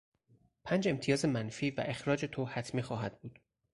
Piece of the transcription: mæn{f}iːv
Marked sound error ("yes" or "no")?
no